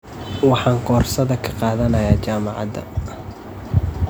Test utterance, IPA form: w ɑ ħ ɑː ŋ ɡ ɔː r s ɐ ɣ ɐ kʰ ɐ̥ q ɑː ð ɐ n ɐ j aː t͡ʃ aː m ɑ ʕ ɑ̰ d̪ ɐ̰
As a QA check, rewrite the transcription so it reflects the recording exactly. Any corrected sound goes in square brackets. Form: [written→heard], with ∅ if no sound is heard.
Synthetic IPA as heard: w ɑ ħ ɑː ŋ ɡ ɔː r s ɐ [ɣ→ð] ɐ kʰ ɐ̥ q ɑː ð ɐ n ɐ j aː t͡ʃ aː m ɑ ʕ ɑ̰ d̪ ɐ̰